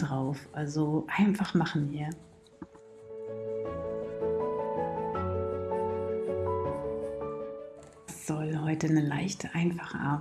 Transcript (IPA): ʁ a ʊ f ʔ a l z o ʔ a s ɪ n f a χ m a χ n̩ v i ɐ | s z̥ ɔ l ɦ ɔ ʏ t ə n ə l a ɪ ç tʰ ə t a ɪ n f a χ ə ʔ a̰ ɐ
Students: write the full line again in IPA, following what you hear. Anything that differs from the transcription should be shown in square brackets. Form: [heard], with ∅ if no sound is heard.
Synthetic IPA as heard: ʁ a ʊ f ʔ a l z o ʔ a [∅] ɪ n f a χ m a χ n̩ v [iː] ɐ | s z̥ ɔ l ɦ ɔ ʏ t ə n ə l a ɪ ç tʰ ə [ʔ] a ɪ n f a χ ə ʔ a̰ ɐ